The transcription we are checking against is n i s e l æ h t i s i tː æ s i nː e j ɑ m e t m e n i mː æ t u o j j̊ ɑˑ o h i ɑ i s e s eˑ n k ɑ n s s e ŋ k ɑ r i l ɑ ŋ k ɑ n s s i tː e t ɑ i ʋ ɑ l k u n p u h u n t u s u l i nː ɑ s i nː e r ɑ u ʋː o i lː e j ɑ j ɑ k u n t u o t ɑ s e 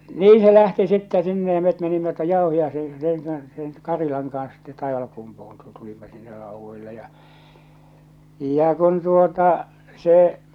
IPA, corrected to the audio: n iː s e l æ h t i s i tː æ s i nː e j ɑ m e t m e n i mː æ t u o j j̊ ɑˑ o h i ɑ i s e s eˑ ŋ k ɑ n s s e ŋ k ɑ r i l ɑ ŋ k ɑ n s s i tː e t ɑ i ʋ ɑ l k u m p u h u n t u t u l i mː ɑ s i nː e r ɑ u ʋː o i lː e j ɑ j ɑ k u n t u o t ɑ s e